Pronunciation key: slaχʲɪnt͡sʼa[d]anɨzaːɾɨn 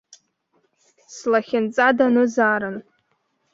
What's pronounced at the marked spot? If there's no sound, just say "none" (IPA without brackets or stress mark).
d